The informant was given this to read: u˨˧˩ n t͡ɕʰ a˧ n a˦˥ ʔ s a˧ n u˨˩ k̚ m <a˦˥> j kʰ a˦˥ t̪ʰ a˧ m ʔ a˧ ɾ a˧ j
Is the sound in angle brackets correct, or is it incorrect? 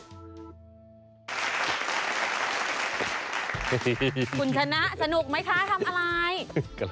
correct